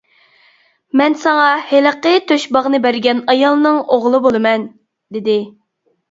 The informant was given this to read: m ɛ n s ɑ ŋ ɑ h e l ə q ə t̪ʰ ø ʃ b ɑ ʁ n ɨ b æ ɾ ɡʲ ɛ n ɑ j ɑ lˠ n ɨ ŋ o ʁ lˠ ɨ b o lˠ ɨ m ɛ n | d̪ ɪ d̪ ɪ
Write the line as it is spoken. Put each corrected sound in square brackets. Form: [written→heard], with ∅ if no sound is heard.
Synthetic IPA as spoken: m ɛ n s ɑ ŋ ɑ h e l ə q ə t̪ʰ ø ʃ b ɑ ʁ n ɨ b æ ɾ ɡʲ ɛ n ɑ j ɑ lˠ n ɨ ŋ o ʁ lˠ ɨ b o lˠ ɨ m ɛ n | d̪ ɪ d̪ ɪ